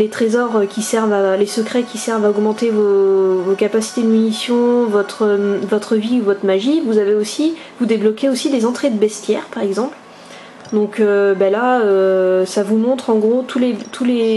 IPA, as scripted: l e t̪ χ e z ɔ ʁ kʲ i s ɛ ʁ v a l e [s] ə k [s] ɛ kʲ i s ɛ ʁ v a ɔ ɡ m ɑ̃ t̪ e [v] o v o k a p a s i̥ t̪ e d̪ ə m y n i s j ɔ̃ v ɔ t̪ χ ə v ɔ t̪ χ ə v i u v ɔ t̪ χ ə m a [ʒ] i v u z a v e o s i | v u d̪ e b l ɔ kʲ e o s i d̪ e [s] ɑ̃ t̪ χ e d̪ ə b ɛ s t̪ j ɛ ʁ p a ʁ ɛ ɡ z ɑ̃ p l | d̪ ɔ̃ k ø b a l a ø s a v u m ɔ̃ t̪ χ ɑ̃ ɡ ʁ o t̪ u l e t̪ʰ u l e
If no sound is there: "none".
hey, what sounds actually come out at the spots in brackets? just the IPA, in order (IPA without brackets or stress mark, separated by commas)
s, χ, v, ʒ, z